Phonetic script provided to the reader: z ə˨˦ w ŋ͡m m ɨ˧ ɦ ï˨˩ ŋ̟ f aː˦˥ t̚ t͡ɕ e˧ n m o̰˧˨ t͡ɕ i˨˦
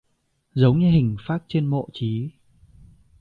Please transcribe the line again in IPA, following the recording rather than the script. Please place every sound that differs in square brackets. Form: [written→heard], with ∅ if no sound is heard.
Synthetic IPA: z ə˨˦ w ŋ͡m [m→ɲ] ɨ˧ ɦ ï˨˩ ŋ̟ f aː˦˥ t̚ t͡ɕ e˧ n m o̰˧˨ t͡ɕ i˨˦